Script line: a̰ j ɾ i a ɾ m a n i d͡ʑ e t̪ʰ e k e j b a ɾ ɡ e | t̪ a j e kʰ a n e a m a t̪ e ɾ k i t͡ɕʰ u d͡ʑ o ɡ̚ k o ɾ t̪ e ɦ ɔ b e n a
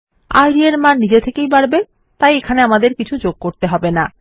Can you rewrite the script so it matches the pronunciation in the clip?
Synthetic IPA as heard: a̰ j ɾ i e ɾ m a n i d͡ʑ e t̪ʰ e k e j b a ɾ b e | t̪ a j e kʰ a n e a m a d̪ e ɾ k i t͡ɕʰ u d͡ʑ o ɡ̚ k o ɾ t̪ e ɦ ɔ b e n a